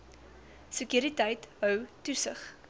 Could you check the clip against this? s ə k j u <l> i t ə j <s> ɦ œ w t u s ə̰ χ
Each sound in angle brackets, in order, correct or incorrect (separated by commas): incorrect, incorrect